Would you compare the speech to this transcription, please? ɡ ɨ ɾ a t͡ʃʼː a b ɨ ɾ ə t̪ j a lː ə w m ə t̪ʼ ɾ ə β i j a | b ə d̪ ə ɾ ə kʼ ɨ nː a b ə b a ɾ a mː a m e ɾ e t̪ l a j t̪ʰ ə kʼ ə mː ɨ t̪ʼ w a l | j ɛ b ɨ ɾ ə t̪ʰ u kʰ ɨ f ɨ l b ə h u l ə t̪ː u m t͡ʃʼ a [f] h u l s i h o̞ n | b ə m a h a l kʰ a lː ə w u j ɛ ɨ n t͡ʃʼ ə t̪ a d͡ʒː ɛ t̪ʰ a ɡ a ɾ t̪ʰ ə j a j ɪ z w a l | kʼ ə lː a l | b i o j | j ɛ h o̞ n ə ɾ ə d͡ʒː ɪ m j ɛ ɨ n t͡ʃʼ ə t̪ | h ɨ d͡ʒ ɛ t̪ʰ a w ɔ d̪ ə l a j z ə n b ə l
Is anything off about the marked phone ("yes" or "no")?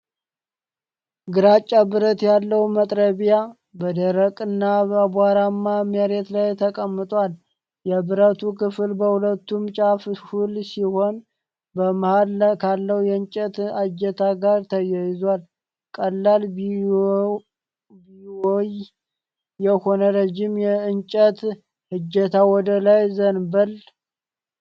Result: no